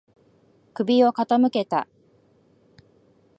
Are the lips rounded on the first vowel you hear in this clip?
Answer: no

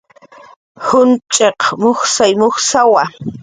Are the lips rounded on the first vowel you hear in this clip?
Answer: yes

